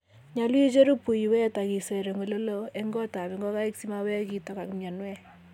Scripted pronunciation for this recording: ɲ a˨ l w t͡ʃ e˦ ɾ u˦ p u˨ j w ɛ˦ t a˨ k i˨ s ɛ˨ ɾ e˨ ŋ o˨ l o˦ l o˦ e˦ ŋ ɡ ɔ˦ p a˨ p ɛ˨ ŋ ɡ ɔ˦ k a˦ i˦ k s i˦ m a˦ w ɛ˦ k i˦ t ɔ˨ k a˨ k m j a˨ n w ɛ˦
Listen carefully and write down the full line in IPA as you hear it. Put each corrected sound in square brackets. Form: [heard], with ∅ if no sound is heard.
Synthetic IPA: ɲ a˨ l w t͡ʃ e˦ ɾ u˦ p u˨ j w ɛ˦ t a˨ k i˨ s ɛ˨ ɾ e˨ ŋ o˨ l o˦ l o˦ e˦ ŋ ɡ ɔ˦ [t] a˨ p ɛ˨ ŋ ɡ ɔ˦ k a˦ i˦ k s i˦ m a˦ w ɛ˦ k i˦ t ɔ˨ k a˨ k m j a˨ n w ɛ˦